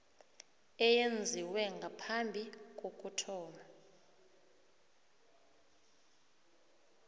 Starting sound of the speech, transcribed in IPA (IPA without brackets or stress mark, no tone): ɛ